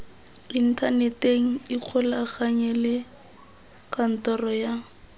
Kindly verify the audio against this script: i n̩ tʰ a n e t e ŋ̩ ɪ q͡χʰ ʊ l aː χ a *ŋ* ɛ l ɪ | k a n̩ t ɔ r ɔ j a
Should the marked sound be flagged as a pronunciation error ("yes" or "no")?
yes